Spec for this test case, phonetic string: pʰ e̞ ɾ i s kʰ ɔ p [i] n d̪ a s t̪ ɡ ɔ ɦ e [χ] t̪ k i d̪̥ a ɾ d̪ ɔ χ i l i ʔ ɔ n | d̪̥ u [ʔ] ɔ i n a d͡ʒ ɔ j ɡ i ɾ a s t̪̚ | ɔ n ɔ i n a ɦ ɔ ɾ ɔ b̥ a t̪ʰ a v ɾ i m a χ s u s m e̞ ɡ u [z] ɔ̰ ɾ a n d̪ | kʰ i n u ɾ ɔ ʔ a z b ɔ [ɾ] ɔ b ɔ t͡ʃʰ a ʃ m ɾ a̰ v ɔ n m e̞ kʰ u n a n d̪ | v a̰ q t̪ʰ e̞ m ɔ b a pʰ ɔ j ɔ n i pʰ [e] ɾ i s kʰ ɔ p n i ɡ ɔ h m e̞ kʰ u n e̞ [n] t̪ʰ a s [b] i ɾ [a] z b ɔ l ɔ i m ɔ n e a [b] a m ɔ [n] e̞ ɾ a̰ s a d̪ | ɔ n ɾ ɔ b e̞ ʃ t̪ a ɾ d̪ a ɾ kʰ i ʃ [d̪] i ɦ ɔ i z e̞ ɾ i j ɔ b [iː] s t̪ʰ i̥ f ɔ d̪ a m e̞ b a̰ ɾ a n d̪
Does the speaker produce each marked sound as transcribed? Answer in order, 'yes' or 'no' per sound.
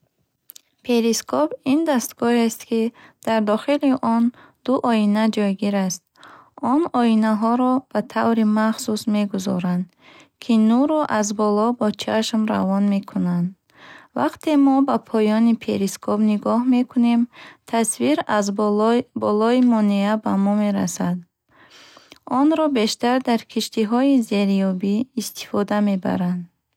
yes, no, yes, yes, no, yes, no, no, yes, yes, no, no, yes

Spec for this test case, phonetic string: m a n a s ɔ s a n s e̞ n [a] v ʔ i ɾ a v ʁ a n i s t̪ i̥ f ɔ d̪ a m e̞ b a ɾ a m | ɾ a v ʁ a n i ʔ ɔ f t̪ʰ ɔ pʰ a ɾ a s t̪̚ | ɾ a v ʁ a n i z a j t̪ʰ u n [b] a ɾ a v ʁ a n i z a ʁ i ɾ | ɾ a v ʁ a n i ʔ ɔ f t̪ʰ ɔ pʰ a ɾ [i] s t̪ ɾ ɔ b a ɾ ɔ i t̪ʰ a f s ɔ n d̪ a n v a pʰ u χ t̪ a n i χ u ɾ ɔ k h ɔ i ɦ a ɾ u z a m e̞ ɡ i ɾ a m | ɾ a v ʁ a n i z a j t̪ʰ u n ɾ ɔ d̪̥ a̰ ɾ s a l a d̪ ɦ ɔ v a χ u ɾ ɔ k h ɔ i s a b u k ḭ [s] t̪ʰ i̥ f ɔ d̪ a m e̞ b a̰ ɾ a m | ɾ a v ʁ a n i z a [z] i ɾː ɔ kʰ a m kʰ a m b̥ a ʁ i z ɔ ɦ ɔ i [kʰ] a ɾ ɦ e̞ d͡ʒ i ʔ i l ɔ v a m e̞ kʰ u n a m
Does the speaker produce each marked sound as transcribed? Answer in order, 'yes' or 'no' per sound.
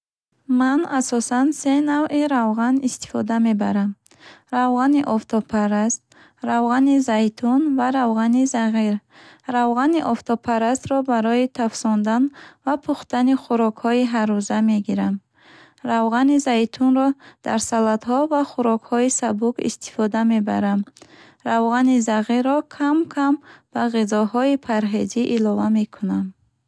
yes, no, no, yes, no, no

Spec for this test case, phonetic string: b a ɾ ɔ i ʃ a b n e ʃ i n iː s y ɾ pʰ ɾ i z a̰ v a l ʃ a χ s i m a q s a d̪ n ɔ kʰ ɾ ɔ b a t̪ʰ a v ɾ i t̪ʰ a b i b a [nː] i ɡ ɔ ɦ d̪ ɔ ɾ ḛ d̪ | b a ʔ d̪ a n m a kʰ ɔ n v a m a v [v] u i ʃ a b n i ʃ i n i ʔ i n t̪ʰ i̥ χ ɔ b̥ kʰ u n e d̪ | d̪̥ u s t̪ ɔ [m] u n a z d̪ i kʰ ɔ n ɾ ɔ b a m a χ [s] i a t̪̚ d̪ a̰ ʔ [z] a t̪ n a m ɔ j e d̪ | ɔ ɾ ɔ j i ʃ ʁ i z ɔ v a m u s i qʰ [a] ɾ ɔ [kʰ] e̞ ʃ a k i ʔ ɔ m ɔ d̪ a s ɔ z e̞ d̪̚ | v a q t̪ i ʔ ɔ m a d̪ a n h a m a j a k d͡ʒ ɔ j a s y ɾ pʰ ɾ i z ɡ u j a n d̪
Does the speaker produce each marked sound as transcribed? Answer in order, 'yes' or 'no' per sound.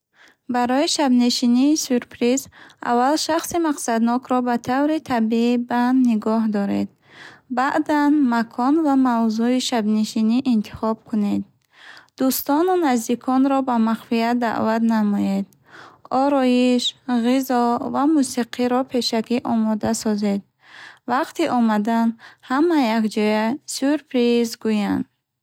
yes, no, no, no, no, no, no

